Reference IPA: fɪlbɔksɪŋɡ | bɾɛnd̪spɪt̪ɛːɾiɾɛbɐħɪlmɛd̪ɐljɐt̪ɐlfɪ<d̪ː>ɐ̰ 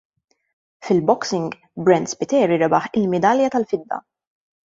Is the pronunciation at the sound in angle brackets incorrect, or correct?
correct